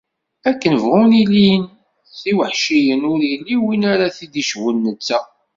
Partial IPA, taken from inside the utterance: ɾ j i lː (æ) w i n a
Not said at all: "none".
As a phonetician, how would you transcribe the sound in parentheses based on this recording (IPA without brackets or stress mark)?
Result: i